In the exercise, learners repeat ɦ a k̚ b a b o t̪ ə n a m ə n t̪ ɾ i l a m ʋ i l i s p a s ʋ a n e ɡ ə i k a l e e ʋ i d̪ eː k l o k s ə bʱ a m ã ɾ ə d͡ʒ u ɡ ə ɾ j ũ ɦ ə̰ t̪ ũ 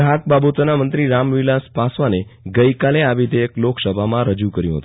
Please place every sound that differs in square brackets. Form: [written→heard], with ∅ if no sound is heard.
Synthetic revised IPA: ɦ a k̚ b a b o t̪ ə n a m ə n t̪ ɾ i [l→ɾ] a m ʋ i l [i→a] s p a s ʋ a n e ɡ ə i k a l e [e→a] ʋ i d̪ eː k l o k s ə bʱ a m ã ɾ ə d͡ʒ u [ɡ→k] ə ɾ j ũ ɦ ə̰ t̪ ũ